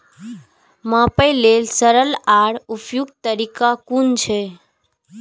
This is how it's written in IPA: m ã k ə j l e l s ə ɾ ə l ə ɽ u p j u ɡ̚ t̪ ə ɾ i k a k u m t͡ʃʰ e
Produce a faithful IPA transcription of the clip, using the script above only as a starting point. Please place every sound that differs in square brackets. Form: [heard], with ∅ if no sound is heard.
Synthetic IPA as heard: m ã [p] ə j l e l s ə ɾ ə l [a] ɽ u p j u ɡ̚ t̪ ə ɾ i k a k u [n] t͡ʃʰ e